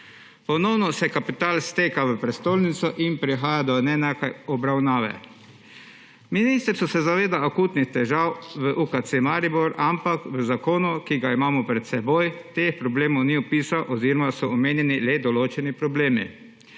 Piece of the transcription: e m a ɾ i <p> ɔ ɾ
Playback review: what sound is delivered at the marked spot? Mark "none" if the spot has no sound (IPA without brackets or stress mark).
b